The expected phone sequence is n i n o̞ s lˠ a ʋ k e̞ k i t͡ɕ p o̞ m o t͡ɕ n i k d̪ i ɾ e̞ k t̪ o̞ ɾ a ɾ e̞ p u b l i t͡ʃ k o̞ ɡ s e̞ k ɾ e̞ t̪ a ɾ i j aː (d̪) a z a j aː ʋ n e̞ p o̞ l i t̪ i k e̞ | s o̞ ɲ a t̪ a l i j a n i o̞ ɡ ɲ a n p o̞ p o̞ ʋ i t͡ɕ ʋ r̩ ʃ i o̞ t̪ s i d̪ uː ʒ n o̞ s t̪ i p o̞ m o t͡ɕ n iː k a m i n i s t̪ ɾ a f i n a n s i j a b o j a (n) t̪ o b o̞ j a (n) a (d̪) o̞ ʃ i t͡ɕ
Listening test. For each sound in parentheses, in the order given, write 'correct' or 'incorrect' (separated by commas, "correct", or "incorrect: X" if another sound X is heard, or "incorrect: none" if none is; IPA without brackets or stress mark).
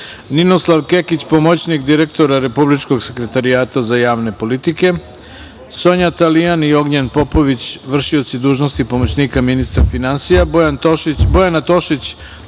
incorrect: t̪, correct, correct, incorrect: t̪